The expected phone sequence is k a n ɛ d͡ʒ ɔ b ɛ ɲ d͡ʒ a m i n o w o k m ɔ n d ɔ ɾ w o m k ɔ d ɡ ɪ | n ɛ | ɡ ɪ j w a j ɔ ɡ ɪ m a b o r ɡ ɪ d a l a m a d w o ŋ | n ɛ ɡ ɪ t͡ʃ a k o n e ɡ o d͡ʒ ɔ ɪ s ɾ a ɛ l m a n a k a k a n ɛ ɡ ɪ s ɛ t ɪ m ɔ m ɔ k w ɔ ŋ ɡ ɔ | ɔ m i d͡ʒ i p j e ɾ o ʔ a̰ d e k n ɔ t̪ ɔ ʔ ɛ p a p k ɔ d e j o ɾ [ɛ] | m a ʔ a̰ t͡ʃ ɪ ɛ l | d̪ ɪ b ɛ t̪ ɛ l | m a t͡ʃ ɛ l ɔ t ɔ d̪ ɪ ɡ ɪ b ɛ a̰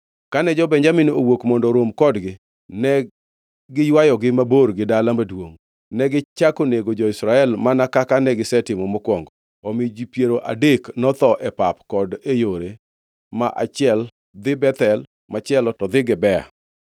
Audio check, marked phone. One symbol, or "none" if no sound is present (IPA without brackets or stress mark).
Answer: e